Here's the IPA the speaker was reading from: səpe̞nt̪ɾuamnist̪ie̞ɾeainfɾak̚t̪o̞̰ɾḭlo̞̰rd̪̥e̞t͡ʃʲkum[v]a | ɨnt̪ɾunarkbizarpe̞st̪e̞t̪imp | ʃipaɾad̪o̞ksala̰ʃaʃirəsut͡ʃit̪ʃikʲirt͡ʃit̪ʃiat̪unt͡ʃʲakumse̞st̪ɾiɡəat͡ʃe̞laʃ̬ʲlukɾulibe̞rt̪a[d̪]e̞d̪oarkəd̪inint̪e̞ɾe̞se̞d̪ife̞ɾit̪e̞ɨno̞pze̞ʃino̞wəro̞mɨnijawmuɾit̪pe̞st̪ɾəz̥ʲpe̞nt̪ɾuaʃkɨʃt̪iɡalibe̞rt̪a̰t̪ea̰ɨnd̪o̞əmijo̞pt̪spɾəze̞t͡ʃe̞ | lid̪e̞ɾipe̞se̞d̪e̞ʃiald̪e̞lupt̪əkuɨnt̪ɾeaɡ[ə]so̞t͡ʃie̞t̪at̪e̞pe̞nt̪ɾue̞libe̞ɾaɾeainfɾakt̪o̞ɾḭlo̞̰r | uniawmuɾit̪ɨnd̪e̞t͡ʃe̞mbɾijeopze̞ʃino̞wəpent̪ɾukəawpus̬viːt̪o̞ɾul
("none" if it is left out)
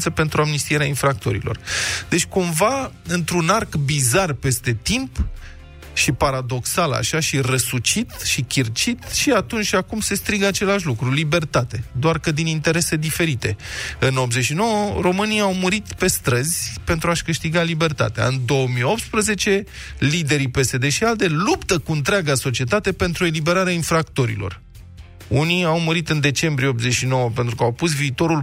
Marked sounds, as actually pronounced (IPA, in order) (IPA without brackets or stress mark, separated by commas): v, t̪, a